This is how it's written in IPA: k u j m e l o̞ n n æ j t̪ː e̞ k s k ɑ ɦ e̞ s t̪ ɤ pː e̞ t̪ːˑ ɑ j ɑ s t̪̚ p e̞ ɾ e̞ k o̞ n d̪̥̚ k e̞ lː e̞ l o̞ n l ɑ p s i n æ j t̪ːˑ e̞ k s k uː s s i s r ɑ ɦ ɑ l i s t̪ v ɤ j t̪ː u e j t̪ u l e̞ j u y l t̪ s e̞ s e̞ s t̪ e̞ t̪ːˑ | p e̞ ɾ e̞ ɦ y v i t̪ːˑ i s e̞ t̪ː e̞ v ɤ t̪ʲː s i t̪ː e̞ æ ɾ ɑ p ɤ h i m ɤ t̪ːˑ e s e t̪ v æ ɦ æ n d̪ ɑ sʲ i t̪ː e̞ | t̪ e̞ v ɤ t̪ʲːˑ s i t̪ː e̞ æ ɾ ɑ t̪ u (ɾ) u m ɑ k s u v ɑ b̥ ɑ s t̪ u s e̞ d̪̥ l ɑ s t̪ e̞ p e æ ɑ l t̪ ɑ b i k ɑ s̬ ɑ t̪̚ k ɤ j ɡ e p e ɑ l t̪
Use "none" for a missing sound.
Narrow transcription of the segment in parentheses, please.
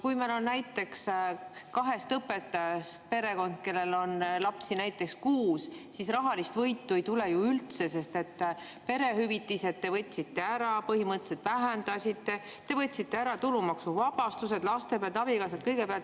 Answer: l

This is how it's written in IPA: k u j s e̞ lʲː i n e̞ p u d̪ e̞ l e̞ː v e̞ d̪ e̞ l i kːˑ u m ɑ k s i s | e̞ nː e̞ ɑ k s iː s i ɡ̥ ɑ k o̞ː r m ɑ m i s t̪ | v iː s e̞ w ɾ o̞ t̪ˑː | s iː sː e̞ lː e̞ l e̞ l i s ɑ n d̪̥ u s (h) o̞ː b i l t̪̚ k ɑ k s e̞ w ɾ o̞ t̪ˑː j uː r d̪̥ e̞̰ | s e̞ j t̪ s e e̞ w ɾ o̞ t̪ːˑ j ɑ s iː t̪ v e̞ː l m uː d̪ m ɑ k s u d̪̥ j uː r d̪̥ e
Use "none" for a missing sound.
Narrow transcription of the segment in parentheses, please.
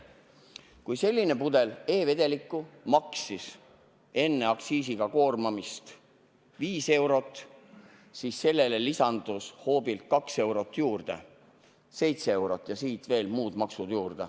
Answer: h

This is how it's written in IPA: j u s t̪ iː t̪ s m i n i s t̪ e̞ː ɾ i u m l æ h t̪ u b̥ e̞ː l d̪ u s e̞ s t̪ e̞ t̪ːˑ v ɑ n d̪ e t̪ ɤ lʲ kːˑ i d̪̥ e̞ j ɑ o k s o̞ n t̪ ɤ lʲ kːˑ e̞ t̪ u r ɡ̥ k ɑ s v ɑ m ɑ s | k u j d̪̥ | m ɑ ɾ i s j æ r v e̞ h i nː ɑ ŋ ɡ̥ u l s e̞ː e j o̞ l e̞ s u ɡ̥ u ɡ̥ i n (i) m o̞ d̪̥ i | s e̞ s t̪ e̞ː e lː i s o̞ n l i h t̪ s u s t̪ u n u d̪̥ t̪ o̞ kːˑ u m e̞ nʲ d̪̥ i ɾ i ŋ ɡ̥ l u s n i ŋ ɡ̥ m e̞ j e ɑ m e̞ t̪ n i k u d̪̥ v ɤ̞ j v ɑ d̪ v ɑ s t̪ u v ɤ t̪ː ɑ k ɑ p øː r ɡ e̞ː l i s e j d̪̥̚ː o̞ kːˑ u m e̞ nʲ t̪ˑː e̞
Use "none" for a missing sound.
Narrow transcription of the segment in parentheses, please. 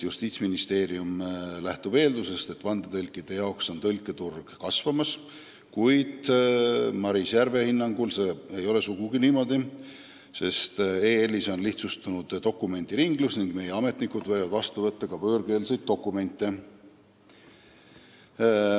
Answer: iː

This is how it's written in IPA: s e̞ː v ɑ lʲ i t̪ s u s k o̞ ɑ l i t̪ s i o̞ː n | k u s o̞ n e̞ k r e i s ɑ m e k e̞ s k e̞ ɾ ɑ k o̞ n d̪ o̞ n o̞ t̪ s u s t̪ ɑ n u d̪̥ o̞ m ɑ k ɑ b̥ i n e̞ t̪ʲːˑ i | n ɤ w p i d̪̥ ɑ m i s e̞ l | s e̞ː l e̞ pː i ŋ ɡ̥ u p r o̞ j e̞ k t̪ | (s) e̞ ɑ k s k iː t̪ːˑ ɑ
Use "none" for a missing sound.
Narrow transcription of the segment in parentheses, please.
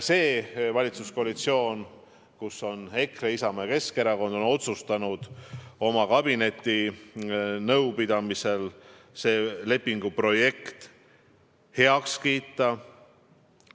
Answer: h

